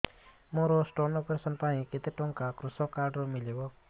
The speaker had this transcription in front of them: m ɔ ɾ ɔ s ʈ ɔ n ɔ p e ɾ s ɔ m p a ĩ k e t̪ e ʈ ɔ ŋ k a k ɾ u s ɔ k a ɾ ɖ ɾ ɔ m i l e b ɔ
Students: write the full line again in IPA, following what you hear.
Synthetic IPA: m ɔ ɾ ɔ s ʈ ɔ n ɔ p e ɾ s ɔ n p a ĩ k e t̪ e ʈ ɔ ŋ k a k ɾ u s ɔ k a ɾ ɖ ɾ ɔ m i l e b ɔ